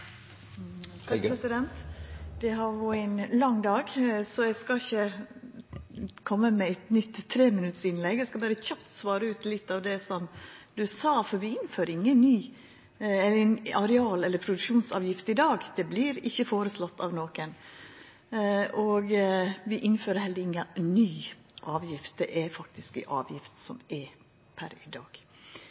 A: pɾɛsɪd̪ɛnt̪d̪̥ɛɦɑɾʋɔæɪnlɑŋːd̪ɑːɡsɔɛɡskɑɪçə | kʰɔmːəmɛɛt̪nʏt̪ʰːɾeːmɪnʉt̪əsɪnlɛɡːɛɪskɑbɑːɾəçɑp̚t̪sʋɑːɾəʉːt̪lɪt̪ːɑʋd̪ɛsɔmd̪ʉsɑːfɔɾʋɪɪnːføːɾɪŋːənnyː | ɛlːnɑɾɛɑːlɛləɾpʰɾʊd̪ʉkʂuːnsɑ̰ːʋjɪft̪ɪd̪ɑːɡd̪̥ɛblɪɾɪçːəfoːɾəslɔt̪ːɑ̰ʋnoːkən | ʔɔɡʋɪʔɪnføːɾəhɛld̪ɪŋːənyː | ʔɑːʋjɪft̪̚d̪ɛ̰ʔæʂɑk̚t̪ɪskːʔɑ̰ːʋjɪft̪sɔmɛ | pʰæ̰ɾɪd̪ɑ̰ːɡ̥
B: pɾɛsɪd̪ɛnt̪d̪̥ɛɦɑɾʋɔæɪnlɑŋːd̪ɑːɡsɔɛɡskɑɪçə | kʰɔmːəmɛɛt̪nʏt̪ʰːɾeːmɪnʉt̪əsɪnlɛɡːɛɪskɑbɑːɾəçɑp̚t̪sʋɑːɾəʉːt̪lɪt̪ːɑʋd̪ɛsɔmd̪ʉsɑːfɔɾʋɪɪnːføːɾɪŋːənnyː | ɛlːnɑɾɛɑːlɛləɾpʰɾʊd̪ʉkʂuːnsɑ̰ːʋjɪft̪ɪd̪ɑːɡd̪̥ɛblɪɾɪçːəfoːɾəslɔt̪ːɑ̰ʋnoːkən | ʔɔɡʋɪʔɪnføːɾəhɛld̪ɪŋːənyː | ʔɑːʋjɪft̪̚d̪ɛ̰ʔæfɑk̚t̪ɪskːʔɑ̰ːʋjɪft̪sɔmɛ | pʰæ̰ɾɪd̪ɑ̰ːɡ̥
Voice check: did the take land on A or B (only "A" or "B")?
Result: B